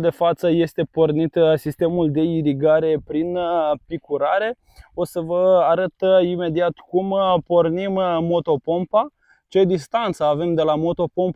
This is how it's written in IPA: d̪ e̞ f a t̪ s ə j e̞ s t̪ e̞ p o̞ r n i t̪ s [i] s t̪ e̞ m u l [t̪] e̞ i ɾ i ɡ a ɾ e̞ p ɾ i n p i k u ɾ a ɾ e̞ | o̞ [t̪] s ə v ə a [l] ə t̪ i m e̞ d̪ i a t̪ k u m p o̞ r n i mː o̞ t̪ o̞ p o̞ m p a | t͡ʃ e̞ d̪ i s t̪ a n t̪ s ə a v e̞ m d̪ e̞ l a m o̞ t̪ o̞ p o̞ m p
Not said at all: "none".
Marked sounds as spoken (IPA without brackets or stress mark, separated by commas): i, d̪, none, ɾ